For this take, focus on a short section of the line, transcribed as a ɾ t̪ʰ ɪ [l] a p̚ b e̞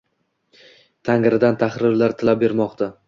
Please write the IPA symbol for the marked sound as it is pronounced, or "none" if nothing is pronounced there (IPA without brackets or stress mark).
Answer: l